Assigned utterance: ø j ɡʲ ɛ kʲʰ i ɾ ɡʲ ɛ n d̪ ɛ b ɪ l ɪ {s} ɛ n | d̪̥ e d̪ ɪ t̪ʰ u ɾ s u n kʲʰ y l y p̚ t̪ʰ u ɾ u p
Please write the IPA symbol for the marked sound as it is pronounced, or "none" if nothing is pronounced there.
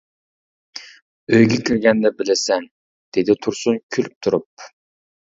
s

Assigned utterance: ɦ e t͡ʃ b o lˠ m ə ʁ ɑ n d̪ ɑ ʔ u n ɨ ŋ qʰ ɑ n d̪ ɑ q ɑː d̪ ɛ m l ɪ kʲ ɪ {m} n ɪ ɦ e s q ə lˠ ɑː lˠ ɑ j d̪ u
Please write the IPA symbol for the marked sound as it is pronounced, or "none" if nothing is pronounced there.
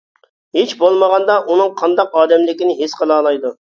none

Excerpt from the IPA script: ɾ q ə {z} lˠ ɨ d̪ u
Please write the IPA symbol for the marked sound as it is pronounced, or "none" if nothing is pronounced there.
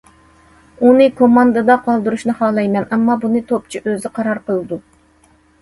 none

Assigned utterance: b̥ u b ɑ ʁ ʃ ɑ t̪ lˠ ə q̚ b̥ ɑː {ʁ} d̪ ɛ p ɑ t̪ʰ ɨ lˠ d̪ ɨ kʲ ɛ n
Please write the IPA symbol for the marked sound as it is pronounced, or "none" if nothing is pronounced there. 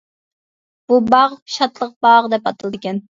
ʁ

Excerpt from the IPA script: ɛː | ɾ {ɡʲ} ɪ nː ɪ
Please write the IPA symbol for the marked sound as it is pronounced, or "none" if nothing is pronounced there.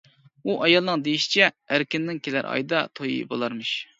kʲ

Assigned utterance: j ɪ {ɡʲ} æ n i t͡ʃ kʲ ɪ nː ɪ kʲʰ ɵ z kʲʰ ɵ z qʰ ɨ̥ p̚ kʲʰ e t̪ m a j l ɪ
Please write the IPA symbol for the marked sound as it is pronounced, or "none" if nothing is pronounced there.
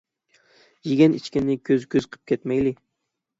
ɡʲ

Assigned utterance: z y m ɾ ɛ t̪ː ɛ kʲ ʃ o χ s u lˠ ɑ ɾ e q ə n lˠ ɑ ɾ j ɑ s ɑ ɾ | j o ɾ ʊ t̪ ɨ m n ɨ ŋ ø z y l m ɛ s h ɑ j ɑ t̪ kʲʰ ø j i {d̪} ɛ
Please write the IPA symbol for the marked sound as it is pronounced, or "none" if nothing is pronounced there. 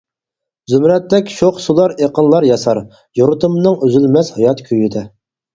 d̪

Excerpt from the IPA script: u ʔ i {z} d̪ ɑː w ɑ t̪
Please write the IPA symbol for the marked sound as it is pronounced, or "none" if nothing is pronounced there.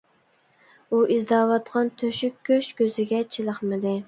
z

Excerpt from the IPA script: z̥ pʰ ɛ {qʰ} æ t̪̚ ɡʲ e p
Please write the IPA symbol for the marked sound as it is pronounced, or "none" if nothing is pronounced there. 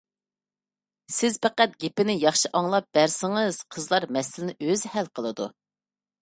q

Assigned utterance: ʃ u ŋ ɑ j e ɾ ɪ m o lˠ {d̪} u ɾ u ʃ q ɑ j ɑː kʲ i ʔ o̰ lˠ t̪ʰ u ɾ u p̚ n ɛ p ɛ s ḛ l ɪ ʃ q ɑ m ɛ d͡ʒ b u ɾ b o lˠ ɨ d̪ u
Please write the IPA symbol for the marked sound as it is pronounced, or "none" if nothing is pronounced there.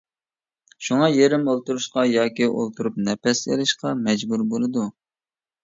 t̪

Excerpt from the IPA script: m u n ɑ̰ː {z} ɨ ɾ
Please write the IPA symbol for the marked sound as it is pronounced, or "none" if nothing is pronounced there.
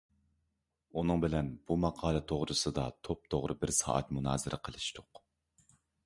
z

